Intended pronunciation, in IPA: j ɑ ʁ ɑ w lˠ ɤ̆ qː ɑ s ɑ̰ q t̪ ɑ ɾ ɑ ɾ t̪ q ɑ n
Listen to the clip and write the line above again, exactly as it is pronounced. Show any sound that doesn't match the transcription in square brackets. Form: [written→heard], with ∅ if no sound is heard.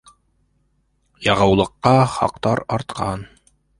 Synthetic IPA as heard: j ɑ ʁ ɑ w lˠ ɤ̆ qː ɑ [s→χ] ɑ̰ q t̪ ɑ ɾ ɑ ɾ t̪ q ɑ n